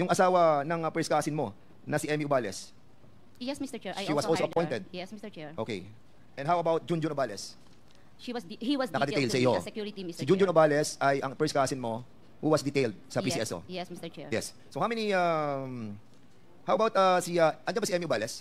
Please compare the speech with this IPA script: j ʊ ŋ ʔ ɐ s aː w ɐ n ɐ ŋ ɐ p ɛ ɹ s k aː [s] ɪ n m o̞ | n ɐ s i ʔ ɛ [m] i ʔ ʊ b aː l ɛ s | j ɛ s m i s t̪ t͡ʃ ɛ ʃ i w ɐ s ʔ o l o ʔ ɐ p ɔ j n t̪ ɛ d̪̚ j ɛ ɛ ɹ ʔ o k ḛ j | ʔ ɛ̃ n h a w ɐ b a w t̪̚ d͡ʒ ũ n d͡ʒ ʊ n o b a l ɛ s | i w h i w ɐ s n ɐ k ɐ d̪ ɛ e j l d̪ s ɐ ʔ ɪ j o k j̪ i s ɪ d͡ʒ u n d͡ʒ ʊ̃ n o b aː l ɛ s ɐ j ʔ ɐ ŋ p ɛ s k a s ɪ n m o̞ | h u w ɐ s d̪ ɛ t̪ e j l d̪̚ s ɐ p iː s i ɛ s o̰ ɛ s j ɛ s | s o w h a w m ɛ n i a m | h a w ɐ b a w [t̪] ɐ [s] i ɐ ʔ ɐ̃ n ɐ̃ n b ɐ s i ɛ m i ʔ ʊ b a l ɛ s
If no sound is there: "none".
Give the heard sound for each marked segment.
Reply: s, m, t̪, s

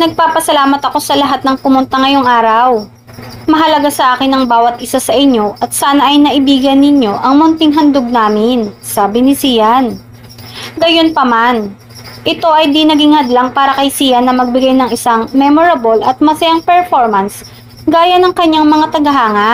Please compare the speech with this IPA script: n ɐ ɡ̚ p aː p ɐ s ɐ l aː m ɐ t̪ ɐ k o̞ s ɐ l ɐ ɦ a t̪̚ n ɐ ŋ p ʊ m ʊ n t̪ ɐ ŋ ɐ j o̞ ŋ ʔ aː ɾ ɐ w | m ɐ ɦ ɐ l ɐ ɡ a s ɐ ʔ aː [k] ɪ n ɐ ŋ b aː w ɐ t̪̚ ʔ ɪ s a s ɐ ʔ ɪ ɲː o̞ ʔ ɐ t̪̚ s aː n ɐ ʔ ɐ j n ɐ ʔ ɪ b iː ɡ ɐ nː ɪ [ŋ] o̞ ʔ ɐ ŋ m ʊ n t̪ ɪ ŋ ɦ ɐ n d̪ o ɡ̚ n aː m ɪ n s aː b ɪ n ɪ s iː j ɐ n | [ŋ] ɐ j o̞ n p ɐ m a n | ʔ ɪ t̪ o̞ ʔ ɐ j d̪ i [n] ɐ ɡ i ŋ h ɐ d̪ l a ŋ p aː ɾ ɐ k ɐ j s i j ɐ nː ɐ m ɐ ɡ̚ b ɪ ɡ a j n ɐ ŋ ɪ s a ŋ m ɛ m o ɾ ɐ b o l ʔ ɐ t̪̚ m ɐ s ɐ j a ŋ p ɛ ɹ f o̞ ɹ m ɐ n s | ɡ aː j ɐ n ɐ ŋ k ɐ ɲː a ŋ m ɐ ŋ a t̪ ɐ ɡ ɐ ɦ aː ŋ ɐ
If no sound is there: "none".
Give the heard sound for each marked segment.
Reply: k, ɲ, ɡ, n

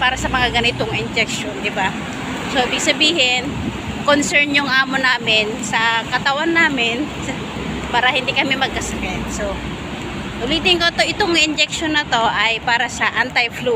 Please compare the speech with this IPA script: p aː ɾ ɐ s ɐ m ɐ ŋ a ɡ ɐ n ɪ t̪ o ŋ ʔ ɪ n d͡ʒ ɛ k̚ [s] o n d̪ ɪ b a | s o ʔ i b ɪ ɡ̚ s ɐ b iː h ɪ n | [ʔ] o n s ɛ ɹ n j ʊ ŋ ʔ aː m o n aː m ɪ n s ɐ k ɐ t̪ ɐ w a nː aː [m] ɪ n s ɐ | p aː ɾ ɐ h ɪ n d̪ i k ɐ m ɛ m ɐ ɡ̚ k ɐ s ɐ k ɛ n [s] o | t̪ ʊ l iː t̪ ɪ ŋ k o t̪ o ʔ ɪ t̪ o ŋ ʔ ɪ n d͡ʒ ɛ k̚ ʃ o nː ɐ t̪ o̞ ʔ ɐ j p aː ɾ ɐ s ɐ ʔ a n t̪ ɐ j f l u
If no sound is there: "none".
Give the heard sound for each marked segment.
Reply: ʃ, k, m, s

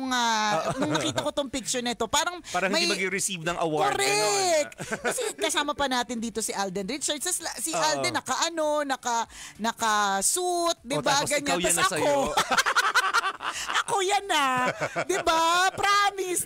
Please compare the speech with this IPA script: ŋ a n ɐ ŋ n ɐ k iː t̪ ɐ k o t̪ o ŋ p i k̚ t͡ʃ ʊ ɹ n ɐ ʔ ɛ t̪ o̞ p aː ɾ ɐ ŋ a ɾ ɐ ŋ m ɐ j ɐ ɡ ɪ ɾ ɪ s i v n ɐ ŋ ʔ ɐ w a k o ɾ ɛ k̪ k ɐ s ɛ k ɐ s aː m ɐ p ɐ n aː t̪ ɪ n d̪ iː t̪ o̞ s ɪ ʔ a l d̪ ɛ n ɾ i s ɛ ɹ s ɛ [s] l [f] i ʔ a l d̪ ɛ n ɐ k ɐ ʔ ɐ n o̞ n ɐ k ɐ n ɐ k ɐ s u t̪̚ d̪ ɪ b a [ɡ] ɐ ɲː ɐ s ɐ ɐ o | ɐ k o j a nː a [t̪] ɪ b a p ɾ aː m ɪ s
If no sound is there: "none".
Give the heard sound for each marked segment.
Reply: s, s, ɡ, d̪

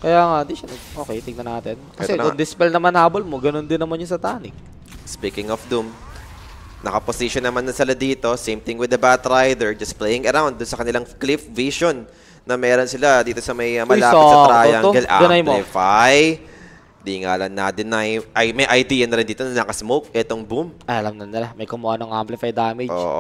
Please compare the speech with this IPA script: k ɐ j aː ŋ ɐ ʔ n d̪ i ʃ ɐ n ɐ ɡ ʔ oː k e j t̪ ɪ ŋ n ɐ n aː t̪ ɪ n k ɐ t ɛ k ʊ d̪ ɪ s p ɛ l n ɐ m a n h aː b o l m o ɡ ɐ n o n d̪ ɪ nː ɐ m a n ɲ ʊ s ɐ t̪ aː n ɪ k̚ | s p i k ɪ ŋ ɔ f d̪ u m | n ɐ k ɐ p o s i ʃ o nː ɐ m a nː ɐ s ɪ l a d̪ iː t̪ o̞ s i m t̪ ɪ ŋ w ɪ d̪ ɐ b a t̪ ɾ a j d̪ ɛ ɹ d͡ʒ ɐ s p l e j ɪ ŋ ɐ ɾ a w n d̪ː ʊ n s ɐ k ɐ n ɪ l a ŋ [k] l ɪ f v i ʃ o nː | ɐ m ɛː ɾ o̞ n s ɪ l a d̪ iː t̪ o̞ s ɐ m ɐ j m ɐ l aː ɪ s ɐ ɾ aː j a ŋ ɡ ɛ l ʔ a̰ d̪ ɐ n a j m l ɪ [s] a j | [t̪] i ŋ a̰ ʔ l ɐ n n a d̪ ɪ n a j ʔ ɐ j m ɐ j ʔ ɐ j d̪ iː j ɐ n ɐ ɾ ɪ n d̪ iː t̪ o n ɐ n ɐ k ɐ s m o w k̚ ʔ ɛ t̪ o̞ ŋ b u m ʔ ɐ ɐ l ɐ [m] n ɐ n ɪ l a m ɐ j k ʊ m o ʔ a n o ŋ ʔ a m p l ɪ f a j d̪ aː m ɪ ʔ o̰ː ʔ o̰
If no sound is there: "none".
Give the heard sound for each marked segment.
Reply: k, f, d̪, m

